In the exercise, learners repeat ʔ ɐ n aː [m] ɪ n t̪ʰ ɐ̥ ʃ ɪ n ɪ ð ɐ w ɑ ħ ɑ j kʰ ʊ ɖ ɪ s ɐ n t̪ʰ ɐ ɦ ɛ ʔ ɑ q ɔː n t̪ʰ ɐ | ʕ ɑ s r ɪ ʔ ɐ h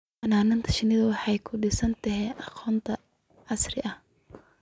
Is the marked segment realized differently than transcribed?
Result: yes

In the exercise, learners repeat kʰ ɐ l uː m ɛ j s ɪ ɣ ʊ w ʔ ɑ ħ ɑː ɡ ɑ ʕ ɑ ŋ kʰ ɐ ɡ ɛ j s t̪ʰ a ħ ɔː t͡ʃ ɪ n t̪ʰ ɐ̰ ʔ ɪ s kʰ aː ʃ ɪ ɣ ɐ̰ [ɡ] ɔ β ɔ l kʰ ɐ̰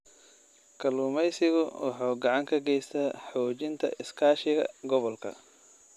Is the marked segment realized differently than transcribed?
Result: no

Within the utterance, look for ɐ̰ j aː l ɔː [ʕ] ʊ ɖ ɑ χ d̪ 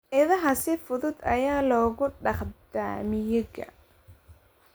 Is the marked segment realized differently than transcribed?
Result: yes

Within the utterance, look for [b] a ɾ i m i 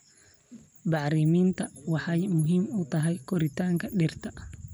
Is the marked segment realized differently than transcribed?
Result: no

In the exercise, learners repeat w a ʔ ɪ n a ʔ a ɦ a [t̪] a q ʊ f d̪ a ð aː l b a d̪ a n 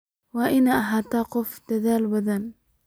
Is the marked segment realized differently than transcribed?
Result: no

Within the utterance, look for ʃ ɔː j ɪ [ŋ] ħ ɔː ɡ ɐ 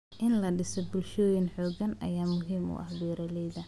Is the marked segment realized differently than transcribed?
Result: yes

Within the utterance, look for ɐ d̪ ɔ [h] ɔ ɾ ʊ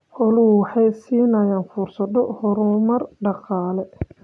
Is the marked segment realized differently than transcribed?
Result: no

